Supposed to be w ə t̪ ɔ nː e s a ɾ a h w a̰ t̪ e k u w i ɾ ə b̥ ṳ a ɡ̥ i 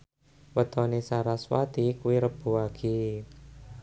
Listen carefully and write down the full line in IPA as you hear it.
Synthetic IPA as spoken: w ə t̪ ɔ n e s a ɾ a s w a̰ t̪ i k u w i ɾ ə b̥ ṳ a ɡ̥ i